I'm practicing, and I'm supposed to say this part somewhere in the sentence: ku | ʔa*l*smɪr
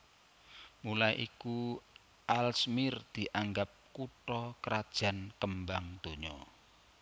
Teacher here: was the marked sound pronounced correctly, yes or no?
yes